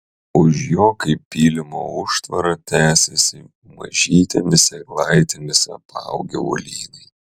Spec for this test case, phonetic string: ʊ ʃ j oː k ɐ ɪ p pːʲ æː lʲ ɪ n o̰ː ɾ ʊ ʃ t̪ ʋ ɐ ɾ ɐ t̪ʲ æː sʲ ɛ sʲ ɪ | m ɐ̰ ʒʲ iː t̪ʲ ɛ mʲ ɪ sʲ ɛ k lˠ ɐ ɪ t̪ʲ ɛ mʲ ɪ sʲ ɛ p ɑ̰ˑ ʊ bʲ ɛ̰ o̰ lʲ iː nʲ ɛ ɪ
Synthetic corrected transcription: ʊ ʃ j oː k ɐ ɪ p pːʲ iː lʲ ɪ m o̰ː ʊ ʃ t̪ ʋ ɐ ɾ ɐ t̪ʲ æː sʲ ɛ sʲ ɪ | m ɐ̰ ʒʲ iː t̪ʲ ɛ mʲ ɪ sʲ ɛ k lˠ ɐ ɪ t̪ʲ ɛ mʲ ɪ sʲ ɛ p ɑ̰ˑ ʊ ɡʲ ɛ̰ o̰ lʲ iː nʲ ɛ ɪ